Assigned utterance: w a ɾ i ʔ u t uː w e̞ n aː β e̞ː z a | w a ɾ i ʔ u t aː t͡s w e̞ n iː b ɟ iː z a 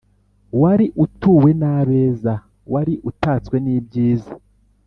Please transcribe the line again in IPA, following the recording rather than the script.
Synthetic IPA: w a ɾ i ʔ u t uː w e̞ n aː β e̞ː z a | w a ɾ i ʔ u t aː t͡s w e̞ n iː b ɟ iː z a